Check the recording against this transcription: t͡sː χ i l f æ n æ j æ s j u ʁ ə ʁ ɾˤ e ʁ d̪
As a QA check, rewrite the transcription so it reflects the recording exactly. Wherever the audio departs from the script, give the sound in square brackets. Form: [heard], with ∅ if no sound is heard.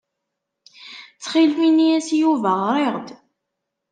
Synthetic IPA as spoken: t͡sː χ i l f [i] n [i] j æ s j u [v] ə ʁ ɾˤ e ʁ d̪